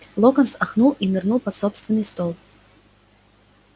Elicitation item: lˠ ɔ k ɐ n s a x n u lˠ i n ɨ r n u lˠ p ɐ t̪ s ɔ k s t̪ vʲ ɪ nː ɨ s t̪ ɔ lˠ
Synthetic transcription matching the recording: lˠ ɔ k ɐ n s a x n u lˠ i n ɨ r n u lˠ p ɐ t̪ s ɔ p s t̪ vʲ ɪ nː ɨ s t̪ ɔ lˠ